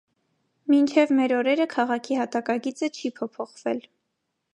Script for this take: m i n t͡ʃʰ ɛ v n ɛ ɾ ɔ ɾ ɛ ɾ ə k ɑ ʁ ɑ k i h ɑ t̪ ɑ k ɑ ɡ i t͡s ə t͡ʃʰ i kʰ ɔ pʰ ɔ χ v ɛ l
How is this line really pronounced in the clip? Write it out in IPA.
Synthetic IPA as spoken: m i n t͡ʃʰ ɛ v m ɛ ɾ ɔ ɾ ɛ ɾ ə kʰ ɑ ʁ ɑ kʰ i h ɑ t̪ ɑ k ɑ ɡ i t͡s ə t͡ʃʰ i pʰ ɔ pʰ ɔ χ v ɛ l